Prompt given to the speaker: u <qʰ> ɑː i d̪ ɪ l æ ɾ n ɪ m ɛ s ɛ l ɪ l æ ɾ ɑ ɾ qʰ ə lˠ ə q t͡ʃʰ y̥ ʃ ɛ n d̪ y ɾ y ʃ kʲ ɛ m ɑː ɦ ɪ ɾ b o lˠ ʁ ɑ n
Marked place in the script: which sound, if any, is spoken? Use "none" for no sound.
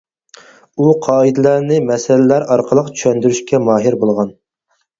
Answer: qʰ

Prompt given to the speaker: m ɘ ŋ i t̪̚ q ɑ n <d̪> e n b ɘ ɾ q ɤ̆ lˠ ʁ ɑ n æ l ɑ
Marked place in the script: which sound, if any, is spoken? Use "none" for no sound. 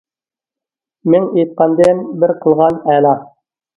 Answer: d̪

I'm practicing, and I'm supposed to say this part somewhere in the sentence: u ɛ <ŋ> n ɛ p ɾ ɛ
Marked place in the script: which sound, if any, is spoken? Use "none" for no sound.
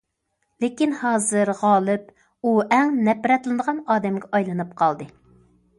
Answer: ŋ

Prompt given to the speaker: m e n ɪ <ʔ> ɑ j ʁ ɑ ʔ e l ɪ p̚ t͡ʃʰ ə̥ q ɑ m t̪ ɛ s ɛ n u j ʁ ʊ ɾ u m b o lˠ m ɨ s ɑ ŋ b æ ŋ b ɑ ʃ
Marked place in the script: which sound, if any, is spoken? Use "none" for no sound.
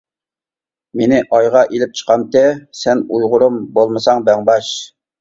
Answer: ʔ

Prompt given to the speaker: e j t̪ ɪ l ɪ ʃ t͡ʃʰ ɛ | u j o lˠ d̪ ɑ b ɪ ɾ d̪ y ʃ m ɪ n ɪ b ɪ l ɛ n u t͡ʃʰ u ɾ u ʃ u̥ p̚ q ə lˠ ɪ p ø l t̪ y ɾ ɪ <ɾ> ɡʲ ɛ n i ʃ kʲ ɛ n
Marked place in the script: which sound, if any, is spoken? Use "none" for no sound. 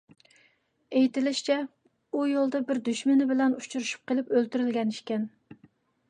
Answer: l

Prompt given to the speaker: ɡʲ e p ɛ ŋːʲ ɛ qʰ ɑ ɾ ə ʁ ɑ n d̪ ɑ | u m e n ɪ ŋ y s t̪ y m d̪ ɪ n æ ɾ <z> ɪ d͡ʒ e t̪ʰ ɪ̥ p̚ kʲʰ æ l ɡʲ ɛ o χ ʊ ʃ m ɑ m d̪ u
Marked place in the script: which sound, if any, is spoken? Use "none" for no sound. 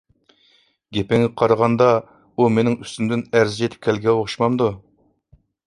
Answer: z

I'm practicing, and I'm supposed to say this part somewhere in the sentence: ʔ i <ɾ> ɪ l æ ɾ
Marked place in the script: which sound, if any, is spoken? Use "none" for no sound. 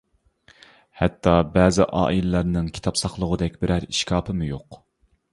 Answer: l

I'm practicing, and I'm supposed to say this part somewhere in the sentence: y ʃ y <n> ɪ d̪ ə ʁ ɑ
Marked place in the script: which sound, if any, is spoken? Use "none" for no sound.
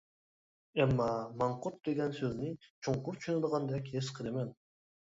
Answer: n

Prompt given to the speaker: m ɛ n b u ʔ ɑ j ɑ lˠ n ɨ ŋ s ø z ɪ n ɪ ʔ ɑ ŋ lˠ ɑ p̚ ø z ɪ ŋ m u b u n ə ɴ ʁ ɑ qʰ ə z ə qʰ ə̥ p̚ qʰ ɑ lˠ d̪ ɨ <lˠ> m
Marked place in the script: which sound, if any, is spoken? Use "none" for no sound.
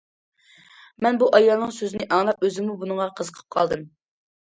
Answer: none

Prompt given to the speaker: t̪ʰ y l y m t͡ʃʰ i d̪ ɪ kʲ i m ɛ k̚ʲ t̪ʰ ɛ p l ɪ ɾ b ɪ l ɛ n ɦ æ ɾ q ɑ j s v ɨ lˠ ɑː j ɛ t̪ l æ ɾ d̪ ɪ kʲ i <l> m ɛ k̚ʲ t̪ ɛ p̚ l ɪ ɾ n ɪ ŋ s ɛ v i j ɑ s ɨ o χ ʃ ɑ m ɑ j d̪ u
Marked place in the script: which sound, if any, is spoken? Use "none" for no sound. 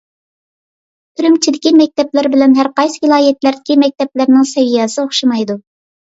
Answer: none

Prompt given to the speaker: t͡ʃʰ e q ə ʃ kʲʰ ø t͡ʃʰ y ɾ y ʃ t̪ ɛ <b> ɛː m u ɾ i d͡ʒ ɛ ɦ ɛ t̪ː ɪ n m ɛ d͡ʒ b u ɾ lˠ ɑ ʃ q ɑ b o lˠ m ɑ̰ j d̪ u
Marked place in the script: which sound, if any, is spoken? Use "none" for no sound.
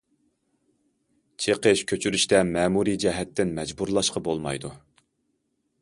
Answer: m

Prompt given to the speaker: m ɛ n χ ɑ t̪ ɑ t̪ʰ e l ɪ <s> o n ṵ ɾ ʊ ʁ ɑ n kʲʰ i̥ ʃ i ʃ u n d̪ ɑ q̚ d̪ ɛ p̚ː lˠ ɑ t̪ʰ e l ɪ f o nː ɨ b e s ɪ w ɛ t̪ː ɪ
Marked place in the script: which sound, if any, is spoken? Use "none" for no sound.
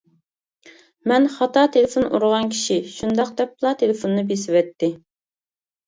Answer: f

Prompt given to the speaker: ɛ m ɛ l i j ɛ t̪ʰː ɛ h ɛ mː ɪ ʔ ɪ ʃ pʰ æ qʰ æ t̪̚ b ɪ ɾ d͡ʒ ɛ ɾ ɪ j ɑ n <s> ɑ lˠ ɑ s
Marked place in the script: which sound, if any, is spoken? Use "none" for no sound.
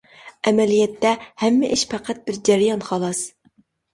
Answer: χ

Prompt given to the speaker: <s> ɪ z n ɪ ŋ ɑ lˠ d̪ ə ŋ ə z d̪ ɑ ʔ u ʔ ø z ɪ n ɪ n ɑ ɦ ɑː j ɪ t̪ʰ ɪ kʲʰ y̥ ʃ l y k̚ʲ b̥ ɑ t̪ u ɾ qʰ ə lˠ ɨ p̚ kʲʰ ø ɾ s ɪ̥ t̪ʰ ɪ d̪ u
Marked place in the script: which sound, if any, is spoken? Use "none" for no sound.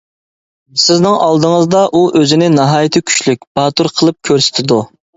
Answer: s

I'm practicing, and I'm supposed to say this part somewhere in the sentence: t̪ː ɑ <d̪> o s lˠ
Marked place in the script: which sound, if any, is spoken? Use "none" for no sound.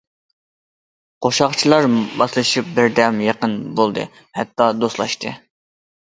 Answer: d̪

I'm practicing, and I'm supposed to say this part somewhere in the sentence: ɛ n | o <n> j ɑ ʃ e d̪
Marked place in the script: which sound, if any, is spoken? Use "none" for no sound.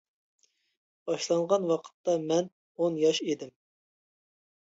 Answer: n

